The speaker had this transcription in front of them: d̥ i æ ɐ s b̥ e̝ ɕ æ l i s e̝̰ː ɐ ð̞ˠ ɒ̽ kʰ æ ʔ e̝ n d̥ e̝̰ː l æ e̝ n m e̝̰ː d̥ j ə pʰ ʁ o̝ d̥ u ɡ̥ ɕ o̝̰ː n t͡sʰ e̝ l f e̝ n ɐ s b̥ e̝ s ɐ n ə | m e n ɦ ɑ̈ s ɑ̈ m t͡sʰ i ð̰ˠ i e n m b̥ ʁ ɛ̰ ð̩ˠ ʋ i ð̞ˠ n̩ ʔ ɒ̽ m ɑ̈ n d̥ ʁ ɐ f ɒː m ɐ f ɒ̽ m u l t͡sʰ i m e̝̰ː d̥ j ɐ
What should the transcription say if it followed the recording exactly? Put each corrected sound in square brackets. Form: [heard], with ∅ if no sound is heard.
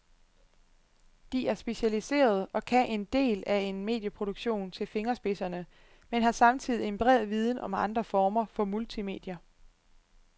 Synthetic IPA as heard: d̥ i æ ɐ s b̥ e̝ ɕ æ l i s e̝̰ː ɐ ð̞ˠ ɒ̽ kʰ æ ʔ e̝ n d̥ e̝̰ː l æ e̝ n m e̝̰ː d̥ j ə pʰ ʁ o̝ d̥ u ɡ̥ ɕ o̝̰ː n t͡sʰ e̝ l f e̝ [ŋ] ɐ s b̥ e̝ s ɐ n ə | m e n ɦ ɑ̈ s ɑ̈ m t͡sʰ i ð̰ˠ i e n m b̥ ʁ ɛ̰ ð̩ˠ ʋ i ð̞ˠ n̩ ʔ ɒ̽ m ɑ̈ n d̥ ʁ ɐ f ɒː m ɐ f ɒ̽ m u l t͡sʰ i m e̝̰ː d̥ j ɐ